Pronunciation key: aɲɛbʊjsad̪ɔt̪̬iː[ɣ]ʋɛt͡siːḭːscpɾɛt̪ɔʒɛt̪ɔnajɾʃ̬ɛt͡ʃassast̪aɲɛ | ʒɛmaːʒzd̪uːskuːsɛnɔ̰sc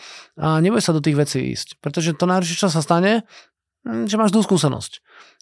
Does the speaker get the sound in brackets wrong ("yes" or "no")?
no